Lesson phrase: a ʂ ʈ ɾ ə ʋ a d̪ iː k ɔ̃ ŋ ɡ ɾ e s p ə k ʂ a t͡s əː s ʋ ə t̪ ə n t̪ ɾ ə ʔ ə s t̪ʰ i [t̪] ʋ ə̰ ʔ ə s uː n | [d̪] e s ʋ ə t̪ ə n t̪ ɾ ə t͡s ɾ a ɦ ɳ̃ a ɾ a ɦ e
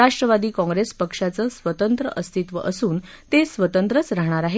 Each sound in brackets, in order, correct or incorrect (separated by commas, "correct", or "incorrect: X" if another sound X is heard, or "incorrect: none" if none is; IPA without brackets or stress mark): correct, incorrect: t̪